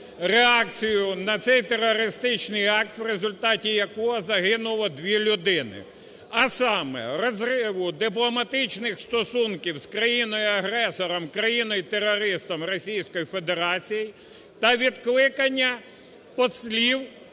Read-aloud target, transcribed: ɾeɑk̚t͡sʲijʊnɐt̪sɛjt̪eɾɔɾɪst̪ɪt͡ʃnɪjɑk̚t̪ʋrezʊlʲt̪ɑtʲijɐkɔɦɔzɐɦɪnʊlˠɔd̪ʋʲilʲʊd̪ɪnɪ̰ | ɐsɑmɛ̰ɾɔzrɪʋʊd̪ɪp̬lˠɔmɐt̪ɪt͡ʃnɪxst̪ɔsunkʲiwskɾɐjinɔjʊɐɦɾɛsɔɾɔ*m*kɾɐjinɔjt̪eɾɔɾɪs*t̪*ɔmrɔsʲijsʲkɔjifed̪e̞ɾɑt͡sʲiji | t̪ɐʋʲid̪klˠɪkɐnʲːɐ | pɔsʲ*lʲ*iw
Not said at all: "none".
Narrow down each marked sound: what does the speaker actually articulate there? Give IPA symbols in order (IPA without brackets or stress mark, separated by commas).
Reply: m, t̪, lʲ